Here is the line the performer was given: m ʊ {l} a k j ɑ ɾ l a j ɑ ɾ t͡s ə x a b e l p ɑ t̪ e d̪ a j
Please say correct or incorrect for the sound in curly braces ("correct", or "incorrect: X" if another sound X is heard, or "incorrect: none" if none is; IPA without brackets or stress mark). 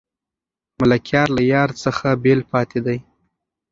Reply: correct